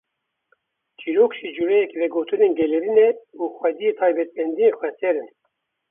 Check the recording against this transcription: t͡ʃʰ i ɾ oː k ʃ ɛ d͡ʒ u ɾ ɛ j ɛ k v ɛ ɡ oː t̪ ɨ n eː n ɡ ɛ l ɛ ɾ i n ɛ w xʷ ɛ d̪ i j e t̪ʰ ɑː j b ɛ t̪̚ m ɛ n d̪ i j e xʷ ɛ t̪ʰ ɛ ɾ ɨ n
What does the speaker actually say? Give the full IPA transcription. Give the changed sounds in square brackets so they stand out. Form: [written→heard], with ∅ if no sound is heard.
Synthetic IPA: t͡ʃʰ i ɾ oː k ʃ [ɛ→i] d͡ʒ u ɾ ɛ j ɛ k v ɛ ɡ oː t̪ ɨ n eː n ɡ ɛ l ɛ ɾ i n ɛ [w→u] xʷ ɛ d̪ i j e t̪ʰ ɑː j b ɛ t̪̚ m ɛ n d̪ i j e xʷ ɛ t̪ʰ ɛ ɾ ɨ n